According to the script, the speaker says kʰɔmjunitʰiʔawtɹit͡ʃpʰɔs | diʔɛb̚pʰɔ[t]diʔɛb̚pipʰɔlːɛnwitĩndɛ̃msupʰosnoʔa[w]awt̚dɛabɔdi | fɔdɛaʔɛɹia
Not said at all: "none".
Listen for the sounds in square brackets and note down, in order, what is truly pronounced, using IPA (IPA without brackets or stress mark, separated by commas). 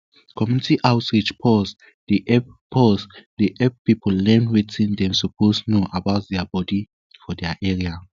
s, b